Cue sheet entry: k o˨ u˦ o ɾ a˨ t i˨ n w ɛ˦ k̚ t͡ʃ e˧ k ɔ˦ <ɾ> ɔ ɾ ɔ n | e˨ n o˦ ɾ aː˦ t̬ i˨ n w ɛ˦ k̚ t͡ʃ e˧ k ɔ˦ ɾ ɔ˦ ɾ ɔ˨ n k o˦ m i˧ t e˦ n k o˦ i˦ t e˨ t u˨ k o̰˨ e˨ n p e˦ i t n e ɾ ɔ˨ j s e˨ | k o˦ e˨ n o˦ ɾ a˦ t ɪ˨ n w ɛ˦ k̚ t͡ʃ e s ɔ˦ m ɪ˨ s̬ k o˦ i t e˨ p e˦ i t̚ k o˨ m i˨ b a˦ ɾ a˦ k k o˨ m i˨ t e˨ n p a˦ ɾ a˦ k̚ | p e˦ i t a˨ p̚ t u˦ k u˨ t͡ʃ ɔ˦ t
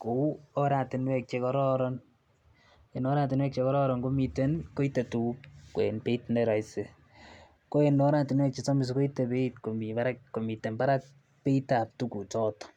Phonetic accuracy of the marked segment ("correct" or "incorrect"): correct